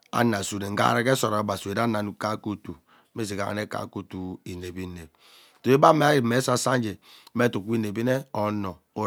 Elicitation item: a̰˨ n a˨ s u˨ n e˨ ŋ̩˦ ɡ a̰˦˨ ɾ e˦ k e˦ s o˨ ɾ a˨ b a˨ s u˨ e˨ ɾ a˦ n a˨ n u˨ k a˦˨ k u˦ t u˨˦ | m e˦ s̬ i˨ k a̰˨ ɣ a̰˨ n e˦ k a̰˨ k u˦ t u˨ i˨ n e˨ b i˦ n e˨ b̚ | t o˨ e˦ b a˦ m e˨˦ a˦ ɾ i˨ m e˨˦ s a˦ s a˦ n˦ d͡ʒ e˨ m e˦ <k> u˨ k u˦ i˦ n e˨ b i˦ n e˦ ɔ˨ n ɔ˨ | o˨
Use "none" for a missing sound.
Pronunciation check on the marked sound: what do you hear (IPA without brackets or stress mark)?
t